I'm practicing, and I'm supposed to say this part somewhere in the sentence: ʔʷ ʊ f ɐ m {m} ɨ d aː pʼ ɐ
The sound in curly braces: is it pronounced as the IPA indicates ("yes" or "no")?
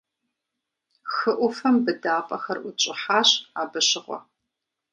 no